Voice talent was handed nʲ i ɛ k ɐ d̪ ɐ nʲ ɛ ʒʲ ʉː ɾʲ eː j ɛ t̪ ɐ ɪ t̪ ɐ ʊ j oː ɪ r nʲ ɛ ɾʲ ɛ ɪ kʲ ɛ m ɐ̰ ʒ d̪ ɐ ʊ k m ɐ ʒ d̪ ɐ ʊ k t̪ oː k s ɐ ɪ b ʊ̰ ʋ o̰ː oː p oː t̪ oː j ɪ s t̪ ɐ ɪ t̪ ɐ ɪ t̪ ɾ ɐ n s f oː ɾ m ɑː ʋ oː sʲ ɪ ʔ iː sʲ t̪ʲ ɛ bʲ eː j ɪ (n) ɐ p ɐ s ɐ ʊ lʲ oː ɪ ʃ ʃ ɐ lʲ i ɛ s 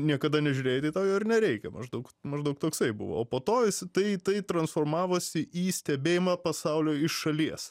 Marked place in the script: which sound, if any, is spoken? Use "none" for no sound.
m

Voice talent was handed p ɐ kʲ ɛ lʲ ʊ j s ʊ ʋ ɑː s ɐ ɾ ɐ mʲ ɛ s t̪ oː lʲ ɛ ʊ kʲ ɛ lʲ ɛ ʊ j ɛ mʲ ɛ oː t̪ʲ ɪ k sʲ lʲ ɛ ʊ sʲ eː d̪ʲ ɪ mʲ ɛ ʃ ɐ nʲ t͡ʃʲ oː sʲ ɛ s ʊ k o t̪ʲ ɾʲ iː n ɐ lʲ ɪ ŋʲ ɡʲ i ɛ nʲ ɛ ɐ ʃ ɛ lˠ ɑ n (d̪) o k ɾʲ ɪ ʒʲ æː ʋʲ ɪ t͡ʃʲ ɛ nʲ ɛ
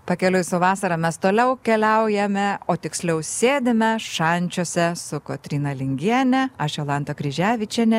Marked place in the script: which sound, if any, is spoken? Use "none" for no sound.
t̪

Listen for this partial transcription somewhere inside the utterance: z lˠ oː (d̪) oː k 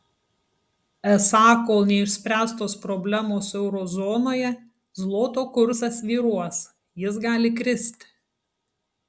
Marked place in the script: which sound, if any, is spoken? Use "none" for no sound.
t̪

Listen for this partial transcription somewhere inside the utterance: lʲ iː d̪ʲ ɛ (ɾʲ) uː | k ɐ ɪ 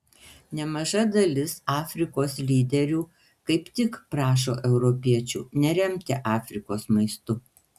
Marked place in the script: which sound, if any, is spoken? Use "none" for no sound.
ɾʲ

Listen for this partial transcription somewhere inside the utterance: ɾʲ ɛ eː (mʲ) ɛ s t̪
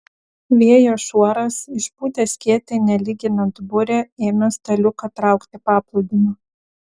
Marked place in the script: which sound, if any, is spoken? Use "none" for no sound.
mʲ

